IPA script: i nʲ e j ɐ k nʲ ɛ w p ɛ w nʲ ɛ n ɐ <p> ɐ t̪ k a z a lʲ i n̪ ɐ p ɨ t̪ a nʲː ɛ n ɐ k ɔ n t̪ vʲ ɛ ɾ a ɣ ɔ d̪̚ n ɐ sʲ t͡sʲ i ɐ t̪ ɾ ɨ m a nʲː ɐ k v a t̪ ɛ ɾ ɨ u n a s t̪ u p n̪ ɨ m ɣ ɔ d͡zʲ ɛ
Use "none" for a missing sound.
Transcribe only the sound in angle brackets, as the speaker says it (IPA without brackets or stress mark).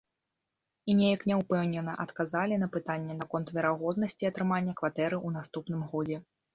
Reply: ʔ